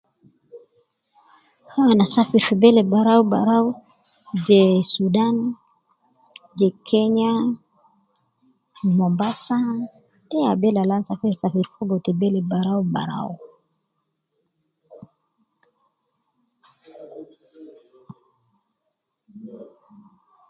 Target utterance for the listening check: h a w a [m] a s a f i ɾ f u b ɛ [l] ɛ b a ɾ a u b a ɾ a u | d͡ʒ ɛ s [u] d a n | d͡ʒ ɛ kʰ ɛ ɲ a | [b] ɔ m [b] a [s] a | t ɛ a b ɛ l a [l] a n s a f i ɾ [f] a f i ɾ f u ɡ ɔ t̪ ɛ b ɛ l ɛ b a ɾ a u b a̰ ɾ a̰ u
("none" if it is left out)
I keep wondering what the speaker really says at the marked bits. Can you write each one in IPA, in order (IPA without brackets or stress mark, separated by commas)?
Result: n, l, u, m, b, s, l, s